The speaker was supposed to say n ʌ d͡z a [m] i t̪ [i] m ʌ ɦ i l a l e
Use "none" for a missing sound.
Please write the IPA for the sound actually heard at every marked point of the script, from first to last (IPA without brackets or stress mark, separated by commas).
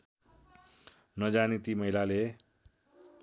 n, i